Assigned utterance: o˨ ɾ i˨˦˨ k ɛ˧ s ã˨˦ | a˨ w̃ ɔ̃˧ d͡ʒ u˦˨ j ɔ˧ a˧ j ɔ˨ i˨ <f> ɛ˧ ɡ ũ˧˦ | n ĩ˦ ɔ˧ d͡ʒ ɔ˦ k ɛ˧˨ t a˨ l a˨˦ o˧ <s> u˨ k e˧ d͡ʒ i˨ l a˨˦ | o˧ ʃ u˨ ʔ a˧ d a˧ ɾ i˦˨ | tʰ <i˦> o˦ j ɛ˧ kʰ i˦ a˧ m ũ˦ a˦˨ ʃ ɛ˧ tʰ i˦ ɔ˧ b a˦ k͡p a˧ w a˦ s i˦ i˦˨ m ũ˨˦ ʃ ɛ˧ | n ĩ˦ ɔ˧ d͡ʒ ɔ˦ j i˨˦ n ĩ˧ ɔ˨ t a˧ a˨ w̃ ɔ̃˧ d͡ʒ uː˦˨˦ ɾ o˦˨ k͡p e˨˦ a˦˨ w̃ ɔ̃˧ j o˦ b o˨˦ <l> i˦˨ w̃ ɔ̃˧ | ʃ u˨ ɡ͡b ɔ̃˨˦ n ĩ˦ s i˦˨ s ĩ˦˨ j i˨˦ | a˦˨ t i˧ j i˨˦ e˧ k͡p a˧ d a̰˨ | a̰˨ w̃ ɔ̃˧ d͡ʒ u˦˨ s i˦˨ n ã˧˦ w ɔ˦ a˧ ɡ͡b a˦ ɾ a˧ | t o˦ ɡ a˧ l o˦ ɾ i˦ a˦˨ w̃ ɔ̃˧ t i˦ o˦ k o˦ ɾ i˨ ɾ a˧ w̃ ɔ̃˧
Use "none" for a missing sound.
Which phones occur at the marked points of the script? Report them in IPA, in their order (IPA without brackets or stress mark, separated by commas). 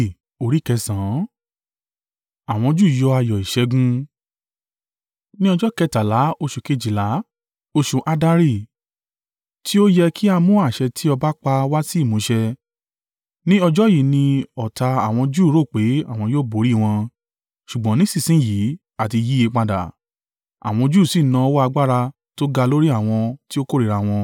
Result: ʃ, ʃ, i˦, ɾ